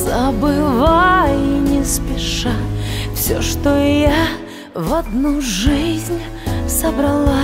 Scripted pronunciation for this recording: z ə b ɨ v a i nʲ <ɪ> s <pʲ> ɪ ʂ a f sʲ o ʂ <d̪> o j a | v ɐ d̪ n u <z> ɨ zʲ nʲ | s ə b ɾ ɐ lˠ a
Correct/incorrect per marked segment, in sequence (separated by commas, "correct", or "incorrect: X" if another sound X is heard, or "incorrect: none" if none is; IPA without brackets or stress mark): correct, correct, incorrect: t̪, incorrect: ʐ